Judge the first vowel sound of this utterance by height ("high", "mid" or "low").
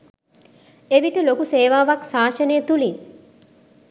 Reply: mid